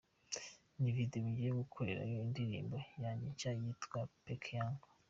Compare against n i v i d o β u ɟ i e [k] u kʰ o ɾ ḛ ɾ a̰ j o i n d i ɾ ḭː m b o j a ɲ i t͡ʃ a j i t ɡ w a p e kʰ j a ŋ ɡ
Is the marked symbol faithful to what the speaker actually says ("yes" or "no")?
no